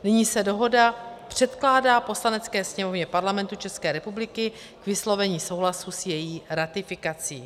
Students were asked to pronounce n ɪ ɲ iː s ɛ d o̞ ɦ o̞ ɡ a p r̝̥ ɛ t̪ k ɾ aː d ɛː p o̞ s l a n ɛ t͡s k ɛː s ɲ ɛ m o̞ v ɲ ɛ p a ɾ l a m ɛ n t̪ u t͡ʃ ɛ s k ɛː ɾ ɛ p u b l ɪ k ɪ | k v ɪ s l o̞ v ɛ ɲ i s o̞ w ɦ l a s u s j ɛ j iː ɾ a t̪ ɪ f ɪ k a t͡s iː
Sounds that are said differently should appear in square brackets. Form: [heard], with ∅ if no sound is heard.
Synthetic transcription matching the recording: n ɪ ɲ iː s ɛ d o̞ ɦ o̞ [d] a p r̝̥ ɛ t̪ k [l] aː d [aː] p o̞ s l a n ɛ t͡s k ɛː s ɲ ɛ m o̞ v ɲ ɛ p a ɾ l a m ɛ n t̪ u t͡ʃ ɛ s k ɛː ɾ ɛ p u b l ɪ k ɪ | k v ɪ s l o̞ v ɛ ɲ [iː] s o̞ w ɦ l a s u s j ɛ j iː ɾ a t̪ ɪ f ɪ k a t͡s iː